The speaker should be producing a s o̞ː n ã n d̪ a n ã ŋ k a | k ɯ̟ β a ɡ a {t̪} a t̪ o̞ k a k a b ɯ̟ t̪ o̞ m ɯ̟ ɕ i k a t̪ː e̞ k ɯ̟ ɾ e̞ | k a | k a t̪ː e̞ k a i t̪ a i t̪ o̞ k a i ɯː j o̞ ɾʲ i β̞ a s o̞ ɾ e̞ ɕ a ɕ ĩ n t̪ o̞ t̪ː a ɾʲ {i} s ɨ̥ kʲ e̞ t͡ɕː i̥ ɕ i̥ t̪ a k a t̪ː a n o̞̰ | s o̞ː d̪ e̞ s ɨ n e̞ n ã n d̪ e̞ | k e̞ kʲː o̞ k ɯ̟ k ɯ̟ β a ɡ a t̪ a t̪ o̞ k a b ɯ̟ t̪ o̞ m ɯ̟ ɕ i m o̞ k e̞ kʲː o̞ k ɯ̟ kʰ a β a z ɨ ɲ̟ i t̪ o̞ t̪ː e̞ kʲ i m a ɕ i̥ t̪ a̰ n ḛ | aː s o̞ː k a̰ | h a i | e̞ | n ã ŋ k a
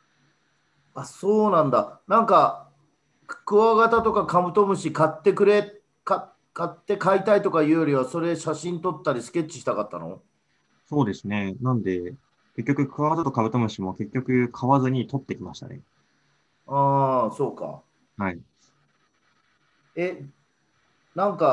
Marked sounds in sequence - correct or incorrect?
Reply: correct, correct

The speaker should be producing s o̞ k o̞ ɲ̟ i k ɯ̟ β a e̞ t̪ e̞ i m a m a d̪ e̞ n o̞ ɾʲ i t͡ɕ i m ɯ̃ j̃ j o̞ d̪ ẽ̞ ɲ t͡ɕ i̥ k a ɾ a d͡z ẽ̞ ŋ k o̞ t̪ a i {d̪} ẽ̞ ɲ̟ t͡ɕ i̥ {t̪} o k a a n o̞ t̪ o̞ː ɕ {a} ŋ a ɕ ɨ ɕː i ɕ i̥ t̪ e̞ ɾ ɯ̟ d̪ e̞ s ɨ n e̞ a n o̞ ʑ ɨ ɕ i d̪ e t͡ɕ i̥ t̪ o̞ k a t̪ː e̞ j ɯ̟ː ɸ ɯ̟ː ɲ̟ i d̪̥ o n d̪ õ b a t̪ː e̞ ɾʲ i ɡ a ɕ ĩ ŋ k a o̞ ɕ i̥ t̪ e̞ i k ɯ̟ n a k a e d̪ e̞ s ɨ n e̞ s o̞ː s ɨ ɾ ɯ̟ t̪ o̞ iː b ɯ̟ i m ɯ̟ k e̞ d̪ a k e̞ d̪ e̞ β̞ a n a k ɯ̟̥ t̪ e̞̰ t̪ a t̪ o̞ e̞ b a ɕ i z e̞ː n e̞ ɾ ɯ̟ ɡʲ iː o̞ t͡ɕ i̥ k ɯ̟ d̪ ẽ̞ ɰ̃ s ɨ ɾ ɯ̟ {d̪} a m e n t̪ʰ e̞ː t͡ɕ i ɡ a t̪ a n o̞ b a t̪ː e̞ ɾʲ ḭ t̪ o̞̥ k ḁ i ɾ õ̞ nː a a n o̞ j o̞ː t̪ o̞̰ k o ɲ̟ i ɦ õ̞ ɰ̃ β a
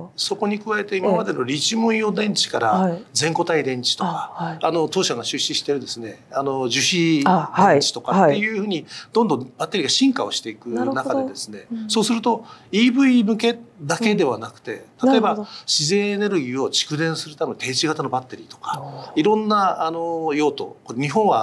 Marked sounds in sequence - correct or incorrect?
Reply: correct, correct, correct, incorrect

